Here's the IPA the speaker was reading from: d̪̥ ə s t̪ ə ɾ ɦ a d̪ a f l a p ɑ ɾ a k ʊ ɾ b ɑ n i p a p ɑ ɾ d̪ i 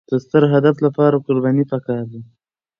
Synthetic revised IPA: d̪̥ ə s t̪ ə ɾ ɦ a d̪ a f l a p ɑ ɾ a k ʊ ɾ b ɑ n i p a k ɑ ɾ d̪ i